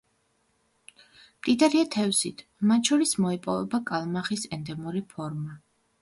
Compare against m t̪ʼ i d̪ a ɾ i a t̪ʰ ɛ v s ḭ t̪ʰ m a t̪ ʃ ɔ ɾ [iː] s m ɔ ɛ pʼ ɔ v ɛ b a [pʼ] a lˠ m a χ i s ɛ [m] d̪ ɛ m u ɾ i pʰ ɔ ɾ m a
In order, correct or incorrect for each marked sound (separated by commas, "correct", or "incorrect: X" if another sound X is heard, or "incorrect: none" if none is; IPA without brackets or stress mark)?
incorrect: i, incorrect: kʼ, incorrect: n